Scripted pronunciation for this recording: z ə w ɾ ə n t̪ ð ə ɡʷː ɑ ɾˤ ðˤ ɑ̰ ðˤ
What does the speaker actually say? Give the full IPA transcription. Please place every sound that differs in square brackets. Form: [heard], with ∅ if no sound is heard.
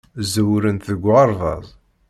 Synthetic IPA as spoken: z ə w ɾ ə n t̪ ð ə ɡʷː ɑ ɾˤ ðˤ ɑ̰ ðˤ